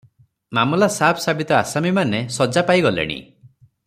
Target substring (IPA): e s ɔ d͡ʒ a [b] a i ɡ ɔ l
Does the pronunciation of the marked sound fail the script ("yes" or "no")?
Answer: yes